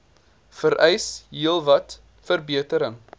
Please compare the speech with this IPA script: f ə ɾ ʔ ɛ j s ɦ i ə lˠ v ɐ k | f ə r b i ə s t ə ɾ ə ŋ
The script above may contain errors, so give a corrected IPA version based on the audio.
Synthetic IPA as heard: f ə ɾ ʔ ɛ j s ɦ i ə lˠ v ɐ t | f ə r b i ə t ə ɾ ə ŋ